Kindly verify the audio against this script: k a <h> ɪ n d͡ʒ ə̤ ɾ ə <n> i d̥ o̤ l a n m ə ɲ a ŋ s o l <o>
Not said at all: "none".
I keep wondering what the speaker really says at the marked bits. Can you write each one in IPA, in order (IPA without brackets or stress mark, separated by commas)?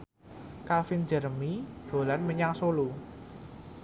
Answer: f, m, u